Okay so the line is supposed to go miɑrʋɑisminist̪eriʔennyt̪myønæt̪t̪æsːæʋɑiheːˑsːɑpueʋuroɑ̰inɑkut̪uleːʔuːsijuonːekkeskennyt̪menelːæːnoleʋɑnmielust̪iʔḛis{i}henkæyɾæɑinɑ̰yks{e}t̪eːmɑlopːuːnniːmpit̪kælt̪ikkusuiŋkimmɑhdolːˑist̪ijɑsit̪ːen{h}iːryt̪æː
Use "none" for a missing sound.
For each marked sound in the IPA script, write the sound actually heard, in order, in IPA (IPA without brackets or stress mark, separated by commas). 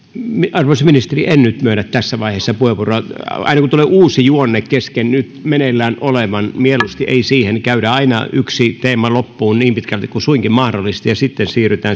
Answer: iː, i, s